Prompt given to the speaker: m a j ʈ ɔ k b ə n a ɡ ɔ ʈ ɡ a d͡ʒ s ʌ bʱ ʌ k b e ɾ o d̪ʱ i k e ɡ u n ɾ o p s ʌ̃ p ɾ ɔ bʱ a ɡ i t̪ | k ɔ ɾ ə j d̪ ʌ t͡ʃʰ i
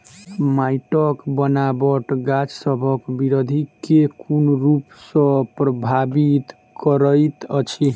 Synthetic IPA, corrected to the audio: m a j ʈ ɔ k b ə n a b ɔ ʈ ɡ a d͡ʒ s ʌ bʱ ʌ k b i ɾ o d̪ʱ i k e k u n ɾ u p s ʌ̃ p ɾ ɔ bʱ a b i t̪ | k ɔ ɾ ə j t̪ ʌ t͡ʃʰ i